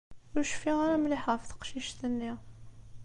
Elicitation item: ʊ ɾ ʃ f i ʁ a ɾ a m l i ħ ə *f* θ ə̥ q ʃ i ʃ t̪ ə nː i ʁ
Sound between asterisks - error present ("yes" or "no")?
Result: no